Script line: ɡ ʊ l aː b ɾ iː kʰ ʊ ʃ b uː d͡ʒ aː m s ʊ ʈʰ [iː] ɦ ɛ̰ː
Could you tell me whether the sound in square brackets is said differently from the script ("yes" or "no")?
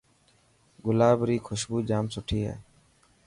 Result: no